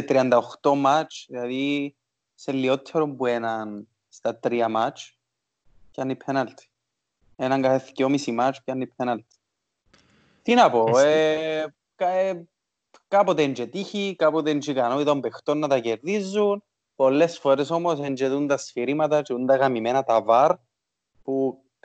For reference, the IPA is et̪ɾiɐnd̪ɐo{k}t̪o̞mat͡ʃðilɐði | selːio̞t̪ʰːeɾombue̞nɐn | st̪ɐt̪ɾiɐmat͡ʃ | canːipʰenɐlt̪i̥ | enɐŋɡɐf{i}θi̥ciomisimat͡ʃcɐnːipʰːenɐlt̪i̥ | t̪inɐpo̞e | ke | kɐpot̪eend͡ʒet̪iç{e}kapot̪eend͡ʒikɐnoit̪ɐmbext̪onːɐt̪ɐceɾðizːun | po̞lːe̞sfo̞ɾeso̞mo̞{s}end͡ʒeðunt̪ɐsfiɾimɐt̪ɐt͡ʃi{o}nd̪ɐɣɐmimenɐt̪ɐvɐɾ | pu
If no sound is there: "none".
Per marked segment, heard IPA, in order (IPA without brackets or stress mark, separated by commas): x, e, i, s, u